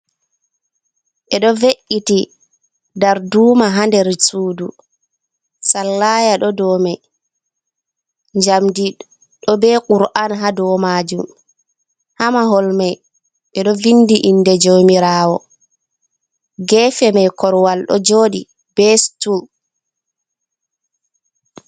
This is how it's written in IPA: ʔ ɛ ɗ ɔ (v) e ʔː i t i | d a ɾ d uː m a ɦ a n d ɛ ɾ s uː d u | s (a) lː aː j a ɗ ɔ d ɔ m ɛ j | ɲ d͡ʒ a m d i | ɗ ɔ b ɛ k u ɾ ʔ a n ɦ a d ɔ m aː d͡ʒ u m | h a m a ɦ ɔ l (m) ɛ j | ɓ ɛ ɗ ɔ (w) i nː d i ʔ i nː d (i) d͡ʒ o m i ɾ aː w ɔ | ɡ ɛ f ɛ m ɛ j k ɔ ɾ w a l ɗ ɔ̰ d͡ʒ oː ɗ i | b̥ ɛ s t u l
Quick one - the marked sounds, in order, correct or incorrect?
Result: correct, correct, correct, incorrect, incorrect

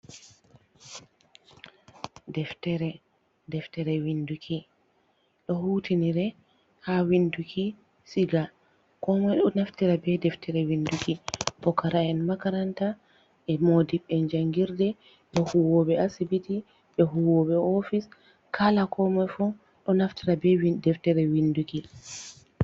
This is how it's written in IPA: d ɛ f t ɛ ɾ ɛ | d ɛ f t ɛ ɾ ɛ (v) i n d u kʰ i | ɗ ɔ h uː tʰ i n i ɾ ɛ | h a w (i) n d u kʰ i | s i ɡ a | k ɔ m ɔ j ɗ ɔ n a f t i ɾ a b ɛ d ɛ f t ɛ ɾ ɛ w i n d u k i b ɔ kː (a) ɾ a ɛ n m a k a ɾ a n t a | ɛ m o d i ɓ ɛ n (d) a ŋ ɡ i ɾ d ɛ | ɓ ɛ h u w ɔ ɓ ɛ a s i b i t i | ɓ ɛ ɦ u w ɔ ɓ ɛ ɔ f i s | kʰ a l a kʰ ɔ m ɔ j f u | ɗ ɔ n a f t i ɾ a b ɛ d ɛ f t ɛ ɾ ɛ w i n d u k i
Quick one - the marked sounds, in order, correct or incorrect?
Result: incorrect, correct, correct, incorrect

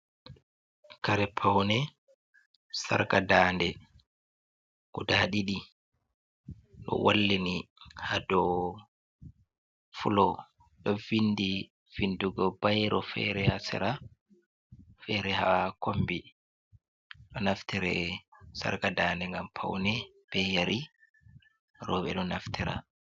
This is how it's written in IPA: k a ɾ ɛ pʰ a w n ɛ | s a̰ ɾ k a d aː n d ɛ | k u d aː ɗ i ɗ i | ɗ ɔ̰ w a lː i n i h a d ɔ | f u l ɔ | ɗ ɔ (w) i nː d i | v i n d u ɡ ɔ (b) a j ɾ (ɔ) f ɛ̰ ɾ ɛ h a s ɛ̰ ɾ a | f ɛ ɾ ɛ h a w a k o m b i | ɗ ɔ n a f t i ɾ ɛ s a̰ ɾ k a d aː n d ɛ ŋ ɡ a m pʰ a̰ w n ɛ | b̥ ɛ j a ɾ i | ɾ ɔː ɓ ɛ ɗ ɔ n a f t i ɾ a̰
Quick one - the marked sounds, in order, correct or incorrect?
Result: incorrect, correct, correct

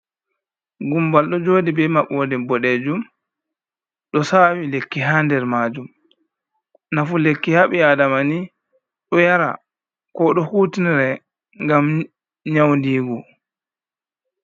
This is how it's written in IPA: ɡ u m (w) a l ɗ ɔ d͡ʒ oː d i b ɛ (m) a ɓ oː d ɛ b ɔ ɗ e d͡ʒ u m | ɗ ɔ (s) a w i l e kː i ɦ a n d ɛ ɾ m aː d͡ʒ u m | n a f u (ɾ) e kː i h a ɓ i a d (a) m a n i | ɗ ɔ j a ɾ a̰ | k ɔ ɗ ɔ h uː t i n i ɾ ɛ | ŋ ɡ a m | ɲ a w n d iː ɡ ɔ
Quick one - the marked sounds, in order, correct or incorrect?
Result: incorrect, correct, correct, incorrect, correct

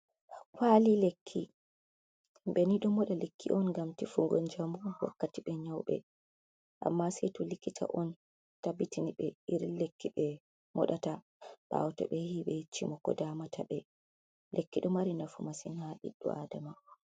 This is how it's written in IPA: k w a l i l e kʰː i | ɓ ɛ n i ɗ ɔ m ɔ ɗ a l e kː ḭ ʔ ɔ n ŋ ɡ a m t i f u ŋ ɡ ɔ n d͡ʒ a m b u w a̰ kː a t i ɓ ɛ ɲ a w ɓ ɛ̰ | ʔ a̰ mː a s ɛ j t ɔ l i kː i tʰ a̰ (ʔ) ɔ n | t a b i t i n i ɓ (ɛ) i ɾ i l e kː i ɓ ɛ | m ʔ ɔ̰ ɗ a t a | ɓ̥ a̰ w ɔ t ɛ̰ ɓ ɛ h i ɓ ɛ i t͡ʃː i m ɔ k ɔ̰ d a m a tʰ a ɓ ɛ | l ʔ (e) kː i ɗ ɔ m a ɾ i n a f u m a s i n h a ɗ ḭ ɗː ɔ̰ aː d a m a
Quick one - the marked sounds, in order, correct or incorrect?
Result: correct, correct, correct

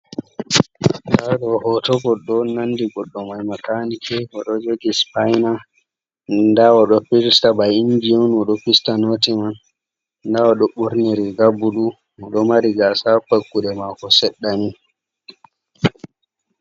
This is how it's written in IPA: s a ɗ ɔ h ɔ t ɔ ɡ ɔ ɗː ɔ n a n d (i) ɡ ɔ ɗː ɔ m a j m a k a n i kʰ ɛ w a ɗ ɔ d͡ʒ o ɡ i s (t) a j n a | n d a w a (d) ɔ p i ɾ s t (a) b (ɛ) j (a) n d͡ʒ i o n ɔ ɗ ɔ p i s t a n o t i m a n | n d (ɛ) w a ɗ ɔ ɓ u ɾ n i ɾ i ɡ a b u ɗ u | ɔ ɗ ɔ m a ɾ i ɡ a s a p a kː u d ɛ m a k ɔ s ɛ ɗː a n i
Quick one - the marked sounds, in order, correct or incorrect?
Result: correct, incorrect, incorrect, correct, incorrect, incorrect, incorrect

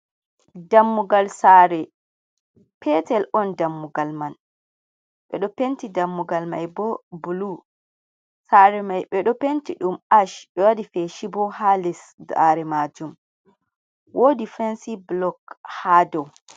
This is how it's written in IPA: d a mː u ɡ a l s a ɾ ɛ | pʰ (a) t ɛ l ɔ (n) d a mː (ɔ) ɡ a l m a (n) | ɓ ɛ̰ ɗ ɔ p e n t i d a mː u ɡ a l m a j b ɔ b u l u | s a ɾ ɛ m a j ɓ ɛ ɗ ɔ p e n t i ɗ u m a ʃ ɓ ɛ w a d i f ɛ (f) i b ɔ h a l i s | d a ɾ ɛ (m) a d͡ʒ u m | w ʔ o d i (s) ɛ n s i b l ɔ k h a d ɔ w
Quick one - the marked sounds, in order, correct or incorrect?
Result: incorrect, correct, incorrect, correct, incorrect, correct, incorrect

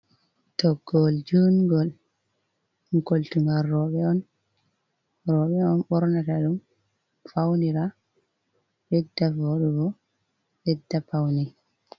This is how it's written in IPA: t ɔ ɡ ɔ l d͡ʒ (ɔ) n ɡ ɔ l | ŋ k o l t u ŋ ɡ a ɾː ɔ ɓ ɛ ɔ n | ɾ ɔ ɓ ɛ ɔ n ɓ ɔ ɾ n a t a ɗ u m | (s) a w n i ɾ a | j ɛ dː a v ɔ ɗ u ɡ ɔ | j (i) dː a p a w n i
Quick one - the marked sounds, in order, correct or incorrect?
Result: incorrect, incorrect, incorrect

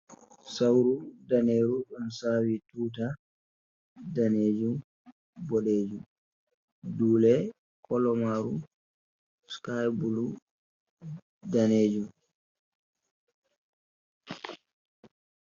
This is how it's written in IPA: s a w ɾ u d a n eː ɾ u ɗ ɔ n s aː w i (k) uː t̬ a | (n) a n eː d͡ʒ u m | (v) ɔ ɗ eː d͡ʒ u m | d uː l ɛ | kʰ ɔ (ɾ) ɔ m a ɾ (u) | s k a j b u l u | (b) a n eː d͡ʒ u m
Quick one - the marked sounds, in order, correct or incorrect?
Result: incorrect, incorrect, incorrect, incorrect, correct, incorrect

